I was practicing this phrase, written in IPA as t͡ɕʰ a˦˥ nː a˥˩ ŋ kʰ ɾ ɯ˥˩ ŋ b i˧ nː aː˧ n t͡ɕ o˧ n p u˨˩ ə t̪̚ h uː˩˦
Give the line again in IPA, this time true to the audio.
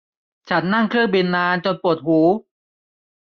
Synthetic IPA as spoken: t͡ɕʰ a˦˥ nː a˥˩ ŋ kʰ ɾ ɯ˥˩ ŋ b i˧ nː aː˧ n t͡ɕ o˧ n p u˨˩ ə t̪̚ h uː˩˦